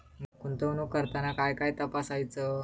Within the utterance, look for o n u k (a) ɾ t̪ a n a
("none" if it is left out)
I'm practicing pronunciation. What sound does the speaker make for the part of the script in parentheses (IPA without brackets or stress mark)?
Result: ə